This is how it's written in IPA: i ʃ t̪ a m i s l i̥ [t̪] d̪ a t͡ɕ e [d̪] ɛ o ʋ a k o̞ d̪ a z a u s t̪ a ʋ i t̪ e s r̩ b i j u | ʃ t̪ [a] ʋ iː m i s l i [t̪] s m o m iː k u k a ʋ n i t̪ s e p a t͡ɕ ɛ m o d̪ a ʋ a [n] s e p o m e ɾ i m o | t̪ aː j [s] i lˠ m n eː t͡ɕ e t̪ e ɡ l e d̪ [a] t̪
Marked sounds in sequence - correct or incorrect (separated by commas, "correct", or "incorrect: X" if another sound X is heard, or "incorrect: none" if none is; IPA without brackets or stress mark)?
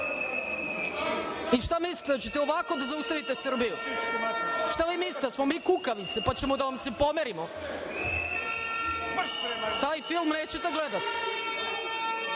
correct, incorrect: t̪, correct, correct, incorrect: m, incorrect: f, correct